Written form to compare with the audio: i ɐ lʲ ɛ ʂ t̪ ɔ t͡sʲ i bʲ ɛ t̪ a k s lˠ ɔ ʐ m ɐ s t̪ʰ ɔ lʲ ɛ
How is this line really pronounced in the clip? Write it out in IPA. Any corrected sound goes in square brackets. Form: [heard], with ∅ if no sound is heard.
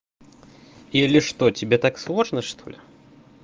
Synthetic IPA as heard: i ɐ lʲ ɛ ʂ t̪ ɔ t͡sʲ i bʲ ɛ t̪ a k s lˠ ɔ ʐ [n] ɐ [ʂ] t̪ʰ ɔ lʲ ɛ